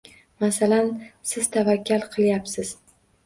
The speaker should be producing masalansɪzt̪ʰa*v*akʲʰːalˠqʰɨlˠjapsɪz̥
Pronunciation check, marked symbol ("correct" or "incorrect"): correct